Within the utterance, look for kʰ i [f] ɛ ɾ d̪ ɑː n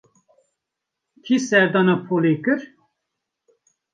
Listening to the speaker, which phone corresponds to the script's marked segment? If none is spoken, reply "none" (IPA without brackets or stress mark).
s